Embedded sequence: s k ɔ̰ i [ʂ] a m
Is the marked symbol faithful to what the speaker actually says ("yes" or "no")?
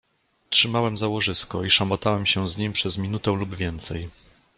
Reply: yes